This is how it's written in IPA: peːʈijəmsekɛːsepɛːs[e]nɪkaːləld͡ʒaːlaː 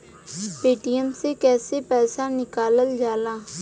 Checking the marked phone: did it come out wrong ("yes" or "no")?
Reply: yes